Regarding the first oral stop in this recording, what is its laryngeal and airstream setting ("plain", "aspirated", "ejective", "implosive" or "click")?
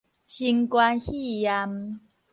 plain